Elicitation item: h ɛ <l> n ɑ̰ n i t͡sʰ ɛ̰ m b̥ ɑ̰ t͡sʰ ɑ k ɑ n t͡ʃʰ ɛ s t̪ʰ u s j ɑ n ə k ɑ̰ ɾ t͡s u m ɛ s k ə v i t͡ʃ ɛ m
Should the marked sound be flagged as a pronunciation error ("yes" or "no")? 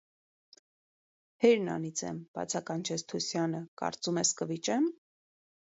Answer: yes